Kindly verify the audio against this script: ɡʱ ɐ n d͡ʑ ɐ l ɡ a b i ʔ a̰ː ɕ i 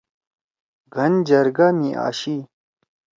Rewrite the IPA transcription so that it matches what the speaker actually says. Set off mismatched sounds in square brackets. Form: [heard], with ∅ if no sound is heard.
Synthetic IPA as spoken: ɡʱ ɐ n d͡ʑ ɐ [ɾ] ɡ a [m] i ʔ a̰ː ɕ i